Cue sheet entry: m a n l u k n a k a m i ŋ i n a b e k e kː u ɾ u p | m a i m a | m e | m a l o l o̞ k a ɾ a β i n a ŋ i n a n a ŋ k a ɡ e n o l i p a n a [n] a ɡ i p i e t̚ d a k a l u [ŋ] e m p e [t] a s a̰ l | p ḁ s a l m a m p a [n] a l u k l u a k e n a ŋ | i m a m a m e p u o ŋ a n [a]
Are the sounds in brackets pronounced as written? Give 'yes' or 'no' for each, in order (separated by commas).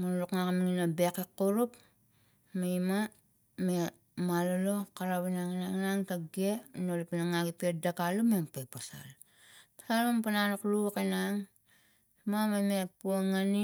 no, no, no, yes, no